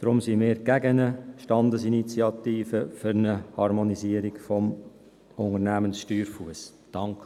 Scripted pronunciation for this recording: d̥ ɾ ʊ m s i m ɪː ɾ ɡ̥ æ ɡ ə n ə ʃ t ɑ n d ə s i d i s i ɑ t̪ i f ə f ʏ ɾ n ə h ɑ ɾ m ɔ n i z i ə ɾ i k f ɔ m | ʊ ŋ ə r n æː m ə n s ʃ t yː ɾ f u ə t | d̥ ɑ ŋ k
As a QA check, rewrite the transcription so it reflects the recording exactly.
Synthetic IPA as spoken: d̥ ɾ ʊ m s i m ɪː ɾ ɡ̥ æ ɡ ə n ə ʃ t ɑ n d ə s i n i t͡s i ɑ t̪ iː f ə f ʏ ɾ n ə h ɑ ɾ m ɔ n i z i ə ɾ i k f ɔ m | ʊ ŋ ə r n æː m ə n s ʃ t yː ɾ f u ə s | d̥ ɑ ŋ k